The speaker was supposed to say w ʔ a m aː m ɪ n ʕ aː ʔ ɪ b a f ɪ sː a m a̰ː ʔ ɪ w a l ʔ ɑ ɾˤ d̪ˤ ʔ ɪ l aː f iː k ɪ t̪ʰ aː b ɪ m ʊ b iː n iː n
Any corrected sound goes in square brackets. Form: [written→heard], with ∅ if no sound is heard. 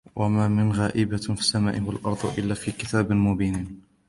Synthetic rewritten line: w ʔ a m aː m ɪ n [ʕ→ɣ] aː ʔ ɪ b a f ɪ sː a m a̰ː ʔ ɪ w a l ʔ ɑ ɾˤ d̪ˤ ʔ ɪ [l→lː] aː f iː k ɪ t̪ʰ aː b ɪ m ʊ b iː n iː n